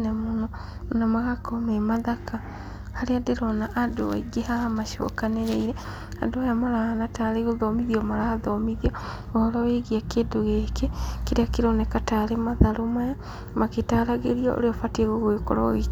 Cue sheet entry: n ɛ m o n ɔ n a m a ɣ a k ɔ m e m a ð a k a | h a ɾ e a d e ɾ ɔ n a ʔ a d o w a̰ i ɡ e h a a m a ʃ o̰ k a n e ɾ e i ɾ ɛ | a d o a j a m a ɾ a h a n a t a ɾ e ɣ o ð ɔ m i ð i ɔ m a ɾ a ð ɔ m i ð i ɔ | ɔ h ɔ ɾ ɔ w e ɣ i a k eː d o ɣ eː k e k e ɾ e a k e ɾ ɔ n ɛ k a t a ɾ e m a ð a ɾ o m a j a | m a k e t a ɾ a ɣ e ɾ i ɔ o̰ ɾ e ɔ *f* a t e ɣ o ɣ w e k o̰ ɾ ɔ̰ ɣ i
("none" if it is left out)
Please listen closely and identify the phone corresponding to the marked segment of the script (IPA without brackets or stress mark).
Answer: f